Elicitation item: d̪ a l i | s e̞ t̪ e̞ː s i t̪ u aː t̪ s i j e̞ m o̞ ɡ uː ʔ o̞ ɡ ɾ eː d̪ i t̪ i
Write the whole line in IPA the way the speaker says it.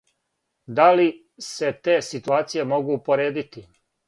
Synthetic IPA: d̪ a l i | s e̞ t̪ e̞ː s i t̪ u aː t̪ s i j e̞ m o̞ ɡ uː p o̞ ɾ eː d̪ i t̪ i